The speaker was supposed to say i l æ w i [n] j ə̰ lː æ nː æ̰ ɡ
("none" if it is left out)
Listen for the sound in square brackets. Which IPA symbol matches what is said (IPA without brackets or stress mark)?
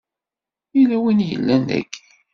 n